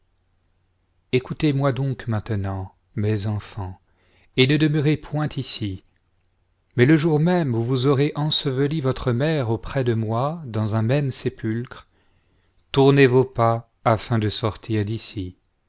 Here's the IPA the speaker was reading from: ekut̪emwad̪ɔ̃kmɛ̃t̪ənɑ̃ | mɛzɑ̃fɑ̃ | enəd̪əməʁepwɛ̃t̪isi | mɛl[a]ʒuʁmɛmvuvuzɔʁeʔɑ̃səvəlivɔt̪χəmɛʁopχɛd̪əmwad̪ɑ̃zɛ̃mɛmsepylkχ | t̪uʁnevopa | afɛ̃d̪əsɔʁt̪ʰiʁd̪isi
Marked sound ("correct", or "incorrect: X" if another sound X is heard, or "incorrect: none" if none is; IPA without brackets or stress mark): incorrect: ə